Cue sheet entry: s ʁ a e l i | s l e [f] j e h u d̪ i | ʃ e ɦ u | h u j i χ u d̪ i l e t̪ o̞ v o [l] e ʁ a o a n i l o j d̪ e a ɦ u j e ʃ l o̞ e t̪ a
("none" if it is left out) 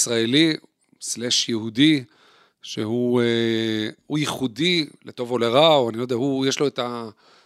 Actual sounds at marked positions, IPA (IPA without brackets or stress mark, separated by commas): ʃ, l